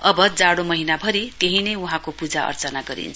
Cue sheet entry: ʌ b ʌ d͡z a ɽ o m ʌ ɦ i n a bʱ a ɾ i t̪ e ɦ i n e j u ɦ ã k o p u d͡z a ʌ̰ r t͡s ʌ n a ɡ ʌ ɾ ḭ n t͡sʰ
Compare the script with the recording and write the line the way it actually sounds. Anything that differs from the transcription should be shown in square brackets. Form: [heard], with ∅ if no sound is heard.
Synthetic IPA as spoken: ʌ b ʌ d͡z a ɽ o m ʌ ɦ i n a bʱ [ʌ] ɾ i t̪ e ɦ i n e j u ɦ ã k o p u d͡z a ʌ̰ r t͡s ʌ n a ɡ ʌ ɾ ḭ n t͡sʰ